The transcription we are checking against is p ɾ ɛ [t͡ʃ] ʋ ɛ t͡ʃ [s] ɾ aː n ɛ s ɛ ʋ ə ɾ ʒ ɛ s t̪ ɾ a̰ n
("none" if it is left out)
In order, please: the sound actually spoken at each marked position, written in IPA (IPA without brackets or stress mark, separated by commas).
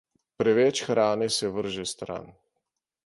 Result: none, x